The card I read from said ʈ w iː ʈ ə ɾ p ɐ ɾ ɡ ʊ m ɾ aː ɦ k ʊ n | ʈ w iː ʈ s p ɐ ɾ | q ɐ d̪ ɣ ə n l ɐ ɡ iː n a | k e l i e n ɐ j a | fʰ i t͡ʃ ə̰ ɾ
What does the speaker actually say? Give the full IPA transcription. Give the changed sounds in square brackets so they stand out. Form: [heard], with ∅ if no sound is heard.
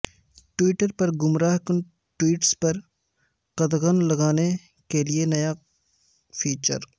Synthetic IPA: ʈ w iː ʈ ə ɾ p ɐ ɾ ɡ ʊ m ɾ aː ɦ k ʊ n | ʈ w iː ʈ s p ɐ ɾ | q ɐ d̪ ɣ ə n l ɐ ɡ [aː] n [e] | k e l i e n ɐ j a | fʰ [iː] t͡ʃ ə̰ ɾ